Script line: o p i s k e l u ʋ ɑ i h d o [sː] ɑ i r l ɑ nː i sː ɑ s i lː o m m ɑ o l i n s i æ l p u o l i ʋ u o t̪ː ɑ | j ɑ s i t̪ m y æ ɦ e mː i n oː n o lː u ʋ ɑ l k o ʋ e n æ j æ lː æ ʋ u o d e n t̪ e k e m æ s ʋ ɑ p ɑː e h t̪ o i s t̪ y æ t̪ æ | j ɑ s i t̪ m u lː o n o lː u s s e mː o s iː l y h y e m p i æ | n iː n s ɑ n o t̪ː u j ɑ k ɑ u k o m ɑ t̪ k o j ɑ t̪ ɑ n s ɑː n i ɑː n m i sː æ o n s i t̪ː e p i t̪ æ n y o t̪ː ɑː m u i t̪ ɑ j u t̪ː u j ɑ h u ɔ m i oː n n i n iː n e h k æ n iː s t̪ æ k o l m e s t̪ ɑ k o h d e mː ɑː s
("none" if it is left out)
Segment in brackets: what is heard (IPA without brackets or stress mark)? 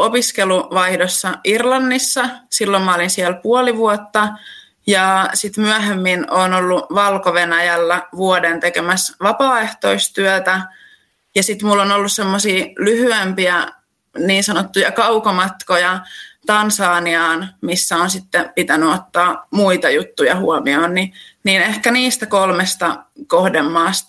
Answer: sː